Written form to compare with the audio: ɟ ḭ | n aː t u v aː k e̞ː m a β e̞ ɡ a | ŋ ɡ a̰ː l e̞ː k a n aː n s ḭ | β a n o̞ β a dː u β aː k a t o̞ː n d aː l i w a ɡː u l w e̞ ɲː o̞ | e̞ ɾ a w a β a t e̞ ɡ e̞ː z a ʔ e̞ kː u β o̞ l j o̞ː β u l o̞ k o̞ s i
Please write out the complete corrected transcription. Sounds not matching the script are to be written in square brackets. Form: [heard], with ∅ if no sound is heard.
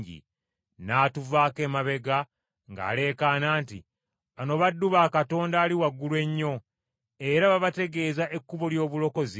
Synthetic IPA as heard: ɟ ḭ | n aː t u v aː k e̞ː m a β e̞ ɡ a | ŋ ɡ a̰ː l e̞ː k a n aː n [t] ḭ | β a n o̞ β a dː u β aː k a t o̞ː n d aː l i w a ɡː u l w e̞ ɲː o̞ | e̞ ɾ a [β] a β a t e̞ ɡ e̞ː z a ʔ e̞ kː u β o̞ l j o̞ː β u l o̞ k o̞ [z] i

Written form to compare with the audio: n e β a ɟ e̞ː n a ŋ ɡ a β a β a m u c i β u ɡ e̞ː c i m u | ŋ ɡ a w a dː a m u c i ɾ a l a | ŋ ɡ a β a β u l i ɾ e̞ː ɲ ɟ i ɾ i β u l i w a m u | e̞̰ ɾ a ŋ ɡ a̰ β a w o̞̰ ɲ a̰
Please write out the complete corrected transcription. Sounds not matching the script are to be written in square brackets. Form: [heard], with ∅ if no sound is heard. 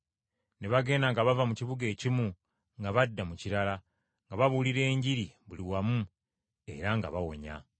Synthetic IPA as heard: n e β a [ɡ] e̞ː n a ŋ ɡ a β a [v] a m u c i β u ɡ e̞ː c i m u | ŋ ɡ a [β] a dː a m u c i ɾ a l a | ŋ ɡ a β a β u l i ɾ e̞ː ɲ ɟ i ɾ i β u l i w a m u | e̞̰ ɾ a ŋ ɡ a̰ β a w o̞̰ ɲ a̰

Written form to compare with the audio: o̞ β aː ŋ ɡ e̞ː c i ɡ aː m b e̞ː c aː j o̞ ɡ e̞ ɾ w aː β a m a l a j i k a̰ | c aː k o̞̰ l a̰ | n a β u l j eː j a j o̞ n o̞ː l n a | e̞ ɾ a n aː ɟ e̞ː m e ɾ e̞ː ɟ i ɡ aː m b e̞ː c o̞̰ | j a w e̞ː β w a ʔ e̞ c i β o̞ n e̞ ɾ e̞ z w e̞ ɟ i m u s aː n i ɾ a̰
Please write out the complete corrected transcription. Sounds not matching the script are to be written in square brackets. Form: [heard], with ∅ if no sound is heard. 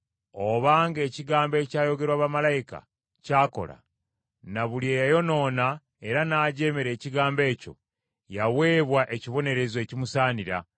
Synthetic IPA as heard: o̞ β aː ŋ ɡ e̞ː c i ɡ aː m b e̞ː c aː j o̞ ɡ e̞ ɾ w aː β a m a l a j i k a̰ | c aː k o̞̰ l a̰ | n a β u l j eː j a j o̞ n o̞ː [∅] n a | e̞ ɾ a n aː ɟ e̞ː m e ɾ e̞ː [c] i ɡ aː m b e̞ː c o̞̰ | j a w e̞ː β w a ʔ e̞ c i β o̞ n e̞ ɾ e̞ z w e̞ [c] i m u s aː n i ɾ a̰

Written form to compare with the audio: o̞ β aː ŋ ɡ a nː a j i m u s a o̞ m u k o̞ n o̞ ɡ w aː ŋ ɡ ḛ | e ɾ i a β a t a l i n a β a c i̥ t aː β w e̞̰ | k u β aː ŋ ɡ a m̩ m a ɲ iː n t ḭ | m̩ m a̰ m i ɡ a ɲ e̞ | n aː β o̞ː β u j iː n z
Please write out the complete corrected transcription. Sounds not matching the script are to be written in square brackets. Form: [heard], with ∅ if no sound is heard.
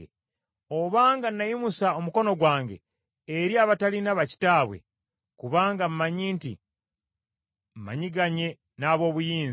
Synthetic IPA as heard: o̞ β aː ŋ ɡ a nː a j i m u s a o̞ m u k o̞ n o̞ ɡ w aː ŋ ɡ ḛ | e ɾ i a β a t a l i n a β a c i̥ t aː β w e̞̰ | k u β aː ŋ ɡ a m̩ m a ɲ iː n t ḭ | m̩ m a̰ [ɲ] i ɡ a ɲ e̞ | n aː β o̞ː β u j iː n z

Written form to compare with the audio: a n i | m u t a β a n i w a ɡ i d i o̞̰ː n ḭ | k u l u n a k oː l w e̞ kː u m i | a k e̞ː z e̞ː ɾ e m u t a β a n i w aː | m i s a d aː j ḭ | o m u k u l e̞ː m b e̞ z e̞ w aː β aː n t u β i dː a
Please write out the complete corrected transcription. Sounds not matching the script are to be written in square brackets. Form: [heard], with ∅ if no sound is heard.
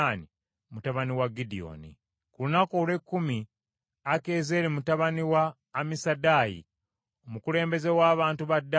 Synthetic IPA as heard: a n i | m u t a β a n i w a ɡ i d i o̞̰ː n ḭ | k u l u n a k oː l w e̞ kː u m i | a k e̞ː z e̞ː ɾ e m u t a β a n i w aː | m i s a d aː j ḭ | o m u k u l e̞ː m b e̞ z e̞ w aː β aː n t u β [a] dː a

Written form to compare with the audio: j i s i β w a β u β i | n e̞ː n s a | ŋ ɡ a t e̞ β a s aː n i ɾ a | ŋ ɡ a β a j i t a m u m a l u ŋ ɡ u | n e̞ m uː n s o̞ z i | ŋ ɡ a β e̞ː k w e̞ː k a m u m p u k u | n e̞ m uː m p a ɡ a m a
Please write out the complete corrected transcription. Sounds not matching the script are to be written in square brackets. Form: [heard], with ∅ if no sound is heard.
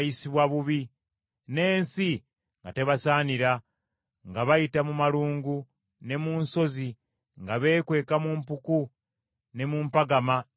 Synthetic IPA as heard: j i s i β w a β u β i | n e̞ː n s [i] | ŋ ɡ a t e̞ β a s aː n i ɾ a | ŋ ɡ a β a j i t a m u m a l [uː] ŋ ɡ u | n e̞ m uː n s o̞ z i | ŋ ɡ a β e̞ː k w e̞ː k a m u m p u k u | n e̞ m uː m p a ɡ a m a

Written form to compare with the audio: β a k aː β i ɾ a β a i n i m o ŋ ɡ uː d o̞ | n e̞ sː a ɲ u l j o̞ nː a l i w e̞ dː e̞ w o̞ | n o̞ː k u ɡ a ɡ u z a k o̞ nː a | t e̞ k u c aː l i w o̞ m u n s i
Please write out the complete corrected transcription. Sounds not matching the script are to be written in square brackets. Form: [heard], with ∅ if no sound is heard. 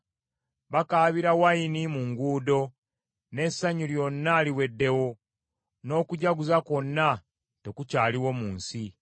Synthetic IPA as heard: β a k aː β i ɾ a [w] a i n i m [u] ŋ ɡ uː d o̞ | n e̞ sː a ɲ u l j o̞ nː a l i w e̞ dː e̞ w o̞ | n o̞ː k u [ɟ] a ɡ u z a k o̞ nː a | t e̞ k u c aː l i w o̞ m [uː] n s i

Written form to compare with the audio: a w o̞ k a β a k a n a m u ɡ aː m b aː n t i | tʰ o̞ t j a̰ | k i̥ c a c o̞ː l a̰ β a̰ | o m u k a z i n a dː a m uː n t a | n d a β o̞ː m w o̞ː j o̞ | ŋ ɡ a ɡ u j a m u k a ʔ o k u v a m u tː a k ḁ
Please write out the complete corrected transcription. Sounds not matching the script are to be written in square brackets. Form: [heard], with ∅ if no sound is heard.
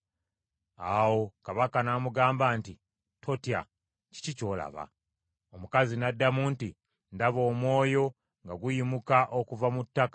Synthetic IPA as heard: a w o̞ k a β a k a n a m u ɡ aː m b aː n t i | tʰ o̞ t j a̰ | [c] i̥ c [i] c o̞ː l a̰ β a̰ | o m u k a z i n a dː a m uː n t [i] | n d a β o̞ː m w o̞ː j o̞ | ŋ ɡ a ɡ u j [i] m u k a ʔ o k u v a m u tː a k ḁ

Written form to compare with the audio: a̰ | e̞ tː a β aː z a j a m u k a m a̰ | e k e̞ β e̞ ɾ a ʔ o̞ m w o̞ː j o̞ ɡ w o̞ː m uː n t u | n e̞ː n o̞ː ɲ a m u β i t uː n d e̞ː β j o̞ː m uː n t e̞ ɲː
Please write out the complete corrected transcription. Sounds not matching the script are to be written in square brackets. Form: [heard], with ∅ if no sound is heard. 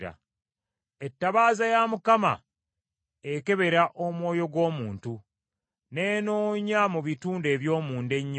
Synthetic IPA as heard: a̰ | e̞ tː a β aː z a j a m u k a m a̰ | e k e̞ β e̞ ɾ a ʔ o̞ m w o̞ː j o̞ ɡ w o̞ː m uː n t u | n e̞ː n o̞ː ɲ a m u β i t uː n d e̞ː β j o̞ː m uː n [d] e̞ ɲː

